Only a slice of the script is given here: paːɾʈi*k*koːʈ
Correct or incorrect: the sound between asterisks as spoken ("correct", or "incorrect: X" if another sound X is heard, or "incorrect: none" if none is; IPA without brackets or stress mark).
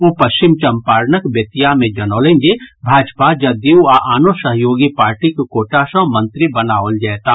correct